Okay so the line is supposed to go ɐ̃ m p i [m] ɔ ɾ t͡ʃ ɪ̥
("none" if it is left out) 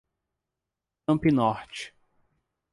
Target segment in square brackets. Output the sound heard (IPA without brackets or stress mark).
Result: n